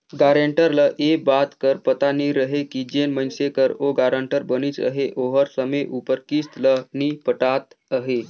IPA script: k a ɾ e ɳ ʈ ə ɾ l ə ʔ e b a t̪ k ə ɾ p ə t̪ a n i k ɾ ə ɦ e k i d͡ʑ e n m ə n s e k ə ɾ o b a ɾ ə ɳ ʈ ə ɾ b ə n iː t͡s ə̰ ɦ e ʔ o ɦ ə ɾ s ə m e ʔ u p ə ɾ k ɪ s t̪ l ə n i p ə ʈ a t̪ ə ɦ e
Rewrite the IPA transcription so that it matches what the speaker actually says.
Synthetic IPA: ɡ a ɾ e ɳ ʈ ə ɾ l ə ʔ e b a t̪ k ə ɾ p ə t̪ a n i ɾ ə ɦ e k i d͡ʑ e n m ə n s e k ə ɾ o ɡ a ɾ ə ɳ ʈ ə ɾ b ə n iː t͡s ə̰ ɦ e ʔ o ɦ ə ɾ s ə m e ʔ u p ə ɾ k i s t̪ l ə n i p ə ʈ a t̪ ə ɦ e